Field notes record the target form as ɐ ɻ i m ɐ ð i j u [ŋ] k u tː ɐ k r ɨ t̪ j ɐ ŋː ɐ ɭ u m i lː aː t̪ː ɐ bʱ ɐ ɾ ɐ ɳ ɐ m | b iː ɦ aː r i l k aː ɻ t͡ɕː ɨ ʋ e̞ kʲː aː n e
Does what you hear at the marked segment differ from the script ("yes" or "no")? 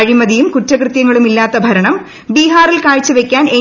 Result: yes